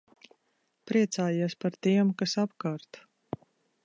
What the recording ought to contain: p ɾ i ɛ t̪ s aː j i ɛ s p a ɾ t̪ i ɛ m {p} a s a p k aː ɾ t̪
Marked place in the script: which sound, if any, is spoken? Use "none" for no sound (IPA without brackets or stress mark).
k